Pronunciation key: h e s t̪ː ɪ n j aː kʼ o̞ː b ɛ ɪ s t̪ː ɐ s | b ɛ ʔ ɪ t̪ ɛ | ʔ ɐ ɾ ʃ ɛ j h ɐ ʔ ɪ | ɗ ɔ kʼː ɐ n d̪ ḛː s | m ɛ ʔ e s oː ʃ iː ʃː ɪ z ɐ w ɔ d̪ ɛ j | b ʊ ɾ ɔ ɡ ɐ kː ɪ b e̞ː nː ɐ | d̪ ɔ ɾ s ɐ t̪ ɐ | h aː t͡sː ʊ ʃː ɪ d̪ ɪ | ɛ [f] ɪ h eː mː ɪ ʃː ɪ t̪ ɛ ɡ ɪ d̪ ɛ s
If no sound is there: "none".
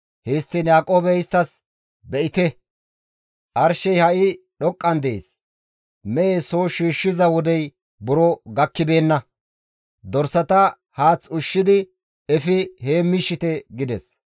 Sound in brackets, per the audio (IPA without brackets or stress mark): f